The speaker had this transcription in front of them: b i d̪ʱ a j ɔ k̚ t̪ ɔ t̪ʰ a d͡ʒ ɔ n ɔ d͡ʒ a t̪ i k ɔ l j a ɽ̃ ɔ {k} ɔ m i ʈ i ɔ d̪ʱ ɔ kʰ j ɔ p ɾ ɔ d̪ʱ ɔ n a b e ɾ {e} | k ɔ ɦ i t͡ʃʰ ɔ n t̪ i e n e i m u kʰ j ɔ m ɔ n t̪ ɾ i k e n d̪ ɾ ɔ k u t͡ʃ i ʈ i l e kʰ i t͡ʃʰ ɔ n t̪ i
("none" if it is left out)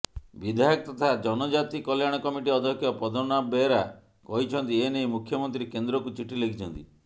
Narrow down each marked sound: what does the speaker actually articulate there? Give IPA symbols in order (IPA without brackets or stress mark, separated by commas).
k, a